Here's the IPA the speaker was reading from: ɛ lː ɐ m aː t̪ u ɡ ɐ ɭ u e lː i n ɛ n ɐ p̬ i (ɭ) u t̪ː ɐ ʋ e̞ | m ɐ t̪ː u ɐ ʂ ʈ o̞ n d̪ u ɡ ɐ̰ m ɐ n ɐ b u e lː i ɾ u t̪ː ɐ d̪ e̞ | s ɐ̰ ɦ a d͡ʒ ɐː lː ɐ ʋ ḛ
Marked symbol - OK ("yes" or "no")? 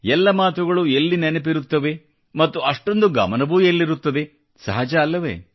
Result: no